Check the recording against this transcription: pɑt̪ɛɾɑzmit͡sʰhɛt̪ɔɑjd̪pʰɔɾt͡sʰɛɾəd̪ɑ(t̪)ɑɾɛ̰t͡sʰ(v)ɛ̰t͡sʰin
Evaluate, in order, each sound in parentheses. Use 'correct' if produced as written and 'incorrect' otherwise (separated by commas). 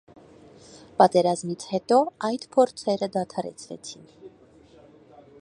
incorrect, correct